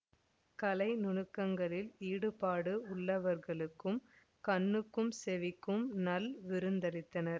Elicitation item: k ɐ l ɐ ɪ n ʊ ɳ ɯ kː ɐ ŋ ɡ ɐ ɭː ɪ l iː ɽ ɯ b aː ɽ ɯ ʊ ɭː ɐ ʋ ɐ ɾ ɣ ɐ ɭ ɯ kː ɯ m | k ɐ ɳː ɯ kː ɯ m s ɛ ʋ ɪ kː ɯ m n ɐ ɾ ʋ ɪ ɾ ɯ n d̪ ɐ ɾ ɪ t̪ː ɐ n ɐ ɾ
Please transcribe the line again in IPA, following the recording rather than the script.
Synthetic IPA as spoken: k ɐ l ɐ ɪ n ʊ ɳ ɯ kː ɐ ŋ ɡ ɐ ɭ ɪ l iː ɽ ɯ p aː ɽ ɯ ʊ ɭː ɐ ʋ ɐ ɾ ɣ ɐ ɭ ɯ kː ɯ m | k ɐ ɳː ɯ kː ɯ m s ɛ ʋ ɪ kː ɯ m n ɐ l ʋ ɪ ɾ ɯ n d̪ ɐ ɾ ɪ t̪ː ɐ n ɐ ɾ